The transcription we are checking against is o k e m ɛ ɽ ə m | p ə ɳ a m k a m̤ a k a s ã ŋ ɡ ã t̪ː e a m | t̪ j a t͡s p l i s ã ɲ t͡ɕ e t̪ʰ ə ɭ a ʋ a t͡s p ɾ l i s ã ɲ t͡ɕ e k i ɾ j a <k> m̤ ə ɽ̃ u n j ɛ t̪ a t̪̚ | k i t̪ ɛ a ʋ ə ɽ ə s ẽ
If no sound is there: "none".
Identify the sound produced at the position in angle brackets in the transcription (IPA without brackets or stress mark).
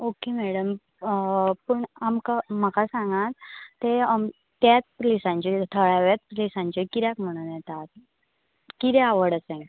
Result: k